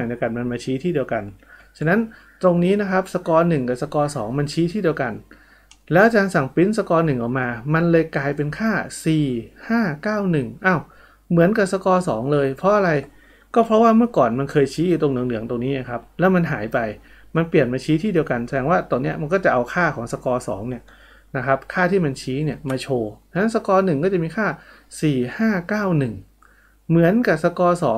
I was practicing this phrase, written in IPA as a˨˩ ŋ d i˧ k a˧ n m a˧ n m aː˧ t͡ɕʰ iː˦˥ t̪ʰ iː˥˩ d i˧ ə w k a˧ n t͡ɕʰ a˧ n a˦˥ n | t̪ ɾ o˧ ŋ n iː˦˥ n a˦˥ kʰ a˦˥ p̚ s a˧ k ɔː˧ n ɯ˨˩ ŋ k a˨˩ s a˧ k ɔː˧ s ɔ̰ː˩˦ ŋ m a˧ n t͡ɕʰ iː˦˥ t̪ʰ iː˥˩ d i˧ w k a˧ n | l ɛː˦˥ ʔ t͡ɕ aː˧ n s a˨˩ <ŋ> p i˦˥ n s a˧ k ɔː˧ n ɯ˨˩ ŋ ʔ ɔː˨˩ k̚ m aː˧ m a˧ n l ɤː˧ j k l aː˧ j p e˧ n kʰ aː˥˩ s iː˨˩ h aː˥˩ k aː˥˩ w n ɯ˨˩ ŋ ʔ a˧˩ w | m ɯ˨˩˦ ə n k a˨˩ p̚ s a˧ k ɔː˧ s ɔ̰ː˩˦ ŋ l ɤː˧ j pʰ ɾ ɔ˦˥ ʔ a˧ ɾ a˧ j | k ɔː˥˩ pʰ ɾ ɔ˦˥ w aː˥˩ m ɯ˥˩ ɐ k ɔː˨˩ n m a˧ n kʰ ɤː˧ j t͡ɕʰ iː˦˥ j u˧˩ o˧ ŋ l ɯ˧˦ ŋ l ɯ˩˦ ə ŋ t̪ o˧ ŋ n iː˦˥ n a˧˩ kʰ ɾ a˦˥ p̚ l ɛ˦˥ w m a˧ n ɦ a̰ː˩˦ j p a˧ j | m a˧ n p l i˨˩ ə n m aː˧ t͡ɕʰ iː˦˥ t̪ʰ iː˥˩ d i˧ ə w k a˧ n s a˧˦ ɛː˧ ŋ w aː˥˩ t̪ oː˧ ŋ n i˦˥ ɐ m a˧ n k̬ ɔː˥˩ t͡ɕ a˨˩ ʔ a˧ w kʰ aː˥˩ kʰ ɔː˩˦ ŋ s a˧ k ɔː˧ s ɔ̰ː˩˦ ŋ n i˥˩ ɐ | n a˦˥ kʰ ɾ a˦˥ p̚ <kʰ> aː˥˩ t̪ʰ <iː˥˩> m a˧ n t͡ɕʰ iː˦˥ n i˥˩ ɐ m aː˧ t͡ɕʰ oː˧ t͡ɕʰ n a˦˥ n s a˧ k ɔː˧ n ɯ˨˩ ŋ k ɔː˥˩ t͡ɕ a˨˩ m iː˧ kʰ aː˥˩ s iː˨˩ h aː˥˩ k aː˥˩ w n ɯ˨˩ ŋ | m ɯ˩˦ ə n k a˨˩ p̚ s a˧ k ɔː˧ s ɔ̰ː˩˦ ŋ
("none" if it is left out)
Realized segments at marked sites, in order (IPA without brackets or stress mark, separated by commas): ŋ, kʰ, iː˥˩